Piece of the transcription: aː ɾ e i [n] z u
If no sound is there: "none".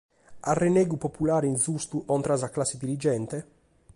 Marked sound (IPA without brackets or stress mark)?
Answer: n